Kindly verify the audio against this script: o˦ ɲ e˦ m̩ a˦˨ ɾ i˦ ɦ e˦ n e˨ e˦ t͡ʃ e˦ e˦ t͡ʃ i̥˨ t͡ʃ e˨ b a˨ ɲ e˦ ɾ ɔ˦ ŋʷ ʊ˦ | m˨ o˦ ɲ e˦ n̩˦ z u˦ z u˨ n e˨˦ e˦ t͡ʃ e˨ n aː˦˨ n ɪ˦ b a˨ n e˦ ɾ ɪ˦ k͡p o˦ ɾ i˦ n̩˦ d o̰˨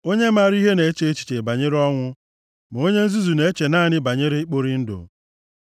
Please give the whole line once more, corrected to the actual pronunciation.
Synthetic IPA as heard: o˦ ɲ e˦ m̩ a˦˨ ɾ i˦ ɦ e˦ n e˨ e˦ t͡ʃ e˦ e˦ t͡ʃ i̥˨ t͡ʃ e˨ b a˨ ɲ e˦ ɾ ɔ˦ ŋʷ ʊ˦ | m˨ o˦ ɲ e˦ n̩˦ z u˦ z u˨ n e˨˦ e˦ t͡ʃ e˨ n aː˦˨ n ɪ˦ b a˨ ɲ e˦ ɾ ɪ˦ k͡p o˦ ɾ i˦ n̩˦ d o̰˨